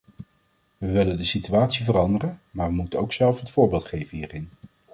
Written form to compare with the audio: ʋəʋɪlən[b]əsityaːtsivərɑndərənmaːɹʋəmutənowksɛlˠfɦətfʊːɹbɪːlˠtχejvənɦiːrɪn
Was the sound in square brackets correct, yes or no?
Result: no